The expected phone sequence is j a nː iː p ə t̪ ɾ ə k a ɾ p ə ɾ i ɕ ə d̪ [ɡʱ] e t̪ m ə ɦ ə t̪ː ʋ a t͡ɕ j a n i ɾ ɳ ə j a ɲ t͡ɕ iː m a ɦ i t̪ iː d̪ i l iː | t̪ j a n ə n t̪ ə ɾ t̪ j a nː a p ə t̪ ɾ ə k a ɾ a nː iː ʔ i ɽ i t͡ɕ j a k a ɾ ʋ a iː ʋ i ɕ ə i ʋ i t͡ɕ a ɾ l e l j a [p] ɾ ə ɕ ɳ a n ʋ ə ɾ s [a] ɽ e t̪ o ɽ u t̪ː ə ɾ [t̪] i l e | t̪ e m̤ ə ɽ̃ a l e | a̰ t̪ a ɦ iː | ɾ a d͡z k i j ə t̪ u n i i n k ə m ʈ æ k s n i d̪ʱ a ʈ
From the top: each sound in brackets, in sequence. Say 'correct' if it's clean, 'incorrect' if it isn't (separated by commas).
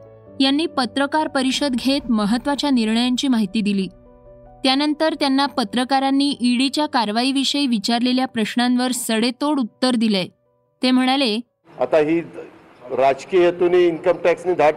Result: correct, correct, incorrect, incorrect